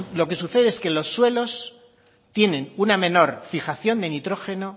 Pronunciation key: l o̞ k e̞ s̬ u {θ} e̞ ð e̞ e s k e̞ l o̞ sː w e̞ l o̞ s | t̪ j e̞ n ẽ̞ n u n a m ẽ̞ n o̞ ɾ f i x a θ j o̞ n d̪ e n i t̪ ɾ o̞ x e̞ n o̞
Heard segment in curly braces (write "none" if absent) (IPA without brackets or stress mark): θ